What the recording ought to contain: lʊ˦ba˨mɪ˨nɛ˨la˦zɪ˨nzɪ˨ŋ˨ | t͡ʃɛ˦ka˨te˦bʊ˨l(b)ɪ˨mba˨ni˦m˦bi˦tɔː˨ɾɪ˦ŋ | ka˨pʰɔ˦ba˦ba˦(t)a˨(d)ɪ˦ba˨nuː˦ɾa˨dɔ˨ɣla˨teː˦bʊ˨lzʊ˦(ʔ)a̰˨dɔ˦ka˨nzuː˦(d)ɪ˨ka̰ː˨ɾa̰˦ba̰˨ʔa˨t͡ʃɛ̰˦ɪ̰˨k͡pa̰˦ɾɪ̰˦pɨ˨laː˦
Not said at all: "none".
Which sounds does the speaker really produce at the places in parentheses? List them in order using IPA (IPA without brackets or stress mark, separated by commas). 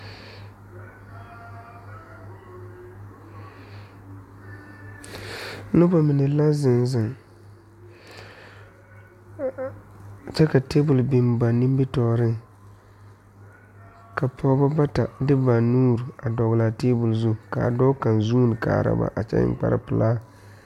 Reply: b, t, d, k, n